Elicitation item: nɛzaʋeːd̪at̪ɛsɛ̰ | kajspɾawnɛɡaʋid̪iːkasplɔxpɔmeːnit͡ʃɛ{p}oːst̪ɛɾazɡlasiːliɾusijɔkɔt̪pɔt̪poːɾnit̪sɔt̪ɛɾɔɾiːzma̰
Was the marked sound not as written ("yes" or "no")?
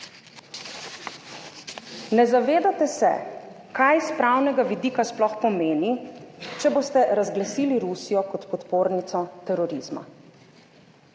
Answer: yes